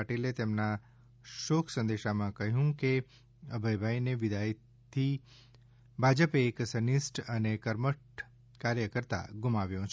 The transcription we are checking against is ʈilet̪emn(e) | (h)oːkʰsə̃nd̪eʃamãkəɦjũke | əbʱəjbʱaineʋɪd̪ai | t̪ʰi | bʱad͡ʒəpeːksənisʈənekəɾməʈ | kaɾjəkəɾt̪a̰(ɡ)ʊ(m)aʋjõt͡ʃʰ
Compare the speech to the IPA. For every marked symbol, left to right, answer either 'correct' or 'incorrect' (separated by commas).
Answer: incorrect, incorrect, correct, correct